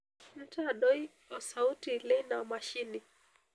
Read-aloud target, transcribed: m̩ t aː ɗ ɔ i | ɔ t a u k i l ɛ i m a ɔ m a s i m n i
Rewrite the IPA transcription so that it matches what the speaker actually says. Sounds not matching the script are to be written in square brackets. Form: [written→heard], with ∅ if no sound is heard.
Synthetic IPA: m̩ t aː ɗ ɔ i | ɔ [t→s] a u [k→t] i l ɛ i [m→n] a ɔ m a [s→ʃ] i [m→∅] n i